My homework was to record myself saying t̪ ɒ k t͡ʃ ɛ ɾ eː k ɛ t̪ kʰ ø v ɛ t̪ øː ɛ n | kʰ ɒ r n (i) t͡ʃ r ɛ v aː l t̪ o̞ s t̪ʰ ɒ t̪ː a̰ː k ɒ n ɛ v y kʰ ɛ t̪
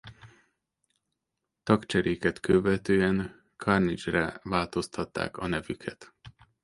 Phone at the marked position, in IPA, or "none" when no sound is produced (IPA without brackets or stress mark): i